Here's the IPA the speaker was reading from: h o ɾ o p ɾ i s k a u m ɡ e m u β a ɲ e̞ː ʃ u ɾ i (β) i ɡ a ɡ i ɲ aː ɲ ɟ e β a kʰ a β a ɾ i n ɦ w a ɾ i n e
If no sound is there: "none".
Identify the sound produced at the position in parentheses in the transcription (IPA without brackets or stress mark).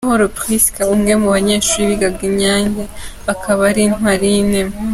β